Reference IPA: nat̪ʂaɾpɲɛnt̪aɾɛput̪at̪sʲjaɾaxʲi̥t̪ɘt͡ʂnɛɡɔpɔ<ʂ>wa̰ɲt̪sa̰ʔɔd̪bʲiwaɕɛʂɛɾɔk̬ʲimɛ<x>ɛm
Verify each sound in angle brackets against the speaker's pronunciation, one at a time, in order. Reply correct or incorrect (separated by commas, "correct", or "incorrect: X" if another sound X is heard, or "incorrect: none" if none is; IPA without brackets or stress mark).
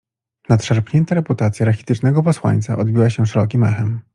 incorrect: s, correct